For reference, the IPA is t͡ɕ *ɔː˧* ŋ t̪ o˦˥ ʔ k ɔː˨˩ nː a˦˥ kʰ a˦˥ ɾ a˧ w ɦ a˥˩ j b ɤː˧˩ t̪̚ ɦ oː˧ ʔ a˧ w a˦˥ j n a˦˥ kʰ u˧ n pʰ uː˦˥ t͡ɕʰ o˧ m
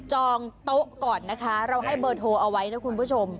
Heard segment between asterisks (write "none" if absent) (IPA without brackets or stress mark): ɔː˧